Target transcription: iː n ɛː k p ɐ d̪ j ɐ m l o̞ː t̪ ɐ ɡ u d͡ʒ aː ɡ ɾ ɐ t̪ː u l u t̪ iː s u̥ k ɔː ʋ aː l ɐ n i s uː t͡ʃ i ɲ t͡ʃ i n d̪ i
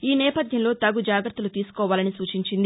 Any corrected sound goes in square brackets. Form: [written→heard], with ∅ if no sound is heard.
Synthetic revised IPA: iː n ɛː [k→∅] p ɐ d̪ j ɐ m l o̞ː t̪ ɐ ɡ u d͡ʒ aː ɡ ɾ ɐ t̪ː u l u t̪ iː s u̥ k ɔː ʋ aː l ɐ n i s uː t͡ʃ i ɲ t͡ʃ i n d̪ i